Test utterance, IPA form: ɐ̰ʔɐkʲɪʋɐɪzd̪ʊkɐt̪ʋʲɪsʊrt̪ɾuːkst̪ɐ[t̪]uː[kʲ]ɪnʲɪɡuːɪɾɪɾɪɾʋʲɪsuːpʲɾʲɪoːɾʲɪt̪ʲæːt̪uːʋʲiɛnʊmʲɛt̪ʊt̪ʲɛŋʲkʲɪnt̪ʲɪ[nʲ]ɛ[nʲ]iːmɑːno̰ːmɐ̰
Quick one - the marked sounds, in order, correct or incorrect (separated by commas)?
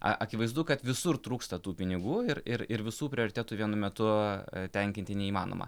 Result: correct, incorrect, correct, incorrect